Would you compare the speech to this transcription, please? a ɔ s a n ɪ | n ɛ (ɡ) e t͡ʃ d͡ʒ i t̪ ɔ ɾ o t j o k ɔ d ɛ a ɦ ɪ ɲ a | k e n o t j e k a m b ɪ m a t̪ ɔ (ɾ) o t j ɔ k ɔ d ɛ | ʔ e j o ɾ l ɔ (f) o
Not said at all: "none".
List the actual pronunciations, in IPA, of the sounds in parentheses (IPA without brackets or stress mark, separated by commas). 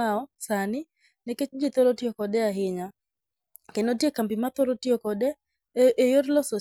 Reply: k, ɾ, s